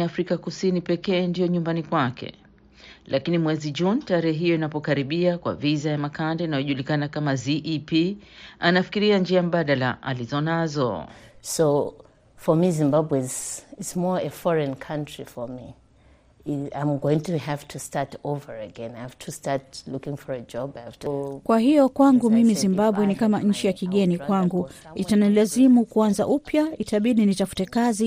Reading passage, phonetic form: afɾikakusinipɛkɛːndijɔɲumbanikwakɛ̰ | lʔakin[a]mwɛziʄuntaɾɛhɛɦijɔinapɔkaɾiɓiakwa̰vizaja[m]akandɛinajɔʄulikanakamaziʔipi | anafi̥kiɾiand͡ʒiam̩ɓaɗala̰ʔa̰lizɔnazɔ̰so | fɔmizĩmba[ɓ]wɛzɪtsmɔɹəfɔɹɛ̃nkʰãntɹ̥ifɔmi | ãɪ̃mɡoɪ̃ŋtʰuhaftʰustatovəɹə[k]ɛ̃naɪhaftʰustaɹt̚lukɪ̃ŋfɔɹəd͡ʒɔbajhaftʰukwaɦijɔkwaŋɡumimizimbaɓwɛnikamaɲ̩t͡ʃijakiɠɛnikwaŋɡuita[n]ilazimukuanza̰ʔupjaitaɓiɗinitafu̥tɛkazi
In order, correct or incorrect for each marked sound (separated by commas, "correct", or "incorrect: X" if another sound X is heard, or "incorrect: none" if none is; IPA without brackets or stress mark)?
incorrect: i, correct, incorrect: b, incorrect: ɡ, correct